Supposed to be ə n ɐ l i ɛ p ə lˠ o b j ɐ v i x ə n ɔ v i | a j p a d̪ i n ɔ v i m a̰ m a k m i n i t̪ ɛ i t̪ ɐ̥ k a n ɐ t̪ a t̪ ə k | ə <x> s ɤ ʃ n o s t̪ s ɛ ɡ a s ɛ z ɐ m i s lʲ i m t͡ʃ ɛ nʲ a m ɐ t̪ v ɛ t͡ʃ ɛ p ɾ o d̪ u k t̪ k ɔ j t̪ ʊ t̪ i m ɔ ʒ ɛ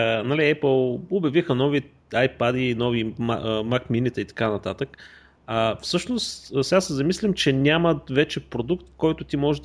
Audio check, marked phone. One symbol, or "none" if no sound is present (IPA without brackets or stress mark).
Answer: f